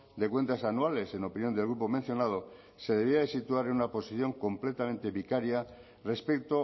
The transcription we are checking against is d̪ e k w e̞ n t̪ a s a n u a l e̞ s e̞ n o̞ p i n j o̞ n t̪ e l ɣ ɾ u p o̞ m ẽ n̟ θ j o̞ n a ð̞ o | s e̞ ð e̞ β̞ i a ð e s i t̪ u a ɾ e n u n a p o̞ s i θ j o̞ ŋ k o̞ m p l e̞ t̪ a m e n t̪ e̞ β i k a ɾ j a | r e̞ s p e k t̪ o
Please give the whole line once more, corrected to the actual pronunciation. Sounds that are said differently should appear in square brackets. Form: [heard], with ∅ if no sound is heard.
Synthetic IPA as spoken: d̪ e k w e̞ n t̪ a s a n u a l e̞ s e̞ n o̞ p i n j o̞ n [d̪] e l ɣ ɾ u p o̞ m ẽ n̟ θ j o̞ n a ð̞ o | s e̞ ð e̞ β̞ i a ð e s i t̪ u a ɾ e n u n a p o̞ s i θ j o̞ ŋ k o̞ m p l e̞ t̪ a m e n t̪ e̞ β i k a ɾ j a | r e̞ s p e k t̪ o